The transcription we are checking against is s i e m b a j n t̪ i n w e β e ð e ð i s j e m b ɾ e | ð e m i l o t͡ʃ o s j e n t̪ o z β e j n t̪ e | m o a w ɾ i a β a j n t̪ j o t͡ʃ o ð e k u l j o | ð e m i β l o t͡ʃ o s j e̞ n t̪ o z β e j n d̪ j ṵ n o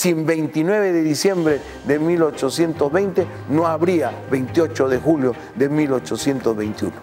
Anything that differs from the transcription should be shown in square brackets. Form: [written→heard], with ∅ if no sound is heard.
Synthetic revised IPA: s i e m b [a→e] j n t̪ i n w e β e ð e ð i s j e m b ɾ e | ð e m i l o t͡ʃ o s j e n t̪ o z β e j n t̪ e | [m→n] o a [w→β] ɾ i a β [a→e] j n t̪ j o t͡ʃ o ð e [k→x] u l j o | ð e m i [β→∅] l o t͡ʃ o s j e̞ n t̪ o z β e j n [d̪→t̪] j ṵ n o